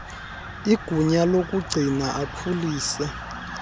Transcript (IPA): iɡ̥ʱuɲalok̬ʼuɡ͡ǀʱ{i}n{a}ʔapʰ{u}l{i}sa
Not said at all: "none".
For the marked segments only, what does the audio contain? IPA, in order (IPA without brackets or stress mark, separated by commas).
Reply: i, a, u, iː